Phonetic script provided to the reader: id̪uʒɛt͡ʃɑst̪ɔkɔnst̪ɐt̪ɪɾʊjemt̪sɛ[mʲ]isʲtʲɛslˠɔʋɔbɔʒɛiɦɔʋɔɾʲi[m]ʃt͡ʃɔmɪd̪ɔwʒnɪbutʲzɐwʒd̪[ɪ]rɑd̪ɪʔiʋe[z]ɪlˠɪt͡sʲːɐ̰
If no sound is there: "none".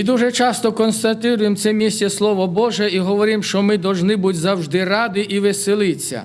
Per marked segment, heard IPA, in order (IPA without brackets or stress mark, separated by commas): mʲ, m, ɪ, s